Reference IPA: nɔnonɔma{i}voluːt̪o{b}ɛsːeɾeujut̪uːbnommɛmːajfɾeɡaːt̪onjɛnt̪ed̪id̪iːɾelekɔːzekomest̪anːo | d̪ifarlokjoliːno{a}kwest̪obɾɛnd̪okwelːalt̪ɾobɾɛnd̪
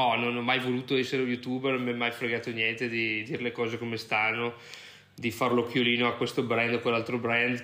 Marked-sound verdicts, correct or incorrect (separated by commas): incorrect, incorrect, correct